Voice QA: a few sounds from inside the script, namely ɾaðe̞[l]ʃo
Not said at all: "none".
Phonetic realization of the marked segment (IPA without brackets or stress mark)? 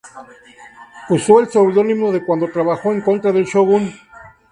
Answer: l